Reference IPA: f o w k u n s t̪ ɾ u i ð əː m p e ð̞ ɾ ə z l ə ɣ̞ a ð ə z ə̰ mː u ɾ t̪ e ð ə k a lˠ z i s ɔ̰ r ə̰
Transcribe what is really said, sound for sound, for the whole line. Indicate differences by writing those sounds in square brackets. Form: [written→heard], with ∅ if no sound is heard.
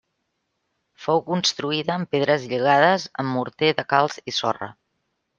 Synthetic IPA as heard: f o w k u n s t̪ ɾ u i ð əː m p e ð̞ ɾ ə z [l→ʎ] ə ɣ̞ a ð ə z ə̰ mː u ɾ t̪ e ð ə k a lˠ z i s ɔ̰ r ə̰